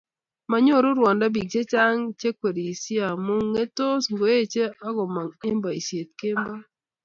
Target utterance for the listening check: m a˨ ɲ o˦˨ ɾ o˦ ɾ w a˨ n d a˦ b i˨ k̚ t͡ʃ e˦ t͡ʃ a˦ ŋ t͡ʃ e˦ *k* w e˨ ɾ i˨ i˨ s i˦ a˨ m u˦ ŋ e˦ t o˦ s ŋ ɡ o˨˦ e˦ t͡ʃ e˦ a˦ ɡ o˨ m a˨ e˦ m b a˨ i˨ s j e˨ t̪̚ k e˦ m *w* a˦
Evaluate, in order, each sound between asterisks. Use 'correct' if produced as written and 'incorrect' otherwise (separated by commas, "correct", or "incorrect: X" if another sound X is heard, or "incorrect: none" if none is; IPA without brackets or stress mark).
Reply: correct, incorrect: b